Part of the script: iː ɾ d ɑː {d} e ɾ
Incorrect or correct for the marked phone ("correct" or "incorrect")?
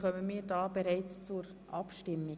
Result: incorrect